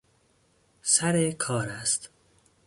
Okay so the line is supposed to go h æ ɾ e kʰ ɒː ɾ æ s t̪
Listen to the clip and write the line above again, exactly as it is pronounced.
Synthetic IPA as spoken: s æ ɾ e kʰ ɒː ɾ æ s t̪